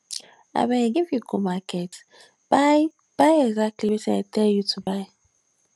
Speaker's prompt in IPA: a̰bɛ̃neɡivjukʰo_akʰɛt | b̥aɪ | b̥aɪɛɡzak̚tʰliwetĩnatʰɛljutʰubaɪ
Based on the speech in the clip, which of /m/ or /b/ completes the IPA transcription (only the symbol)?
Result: m